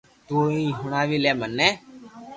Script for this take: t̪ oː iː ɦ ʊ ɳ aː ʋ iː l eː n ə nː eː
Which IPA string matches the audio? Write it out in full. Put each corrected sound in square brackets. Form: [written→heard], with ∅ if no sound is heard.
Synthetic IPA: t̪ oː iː ɦ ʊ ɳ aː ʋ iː l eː [n→m] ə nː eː